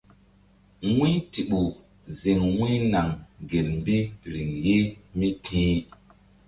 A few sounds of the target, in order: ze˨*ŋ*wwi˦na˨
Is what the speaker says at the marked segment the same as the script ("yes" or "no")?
yes